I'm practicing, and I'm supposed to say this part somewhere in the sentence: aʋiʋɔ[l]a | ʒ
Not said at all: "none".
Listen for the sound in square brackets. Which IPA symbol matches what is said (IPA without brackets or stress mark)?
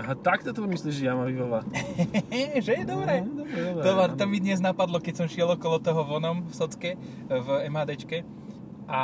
l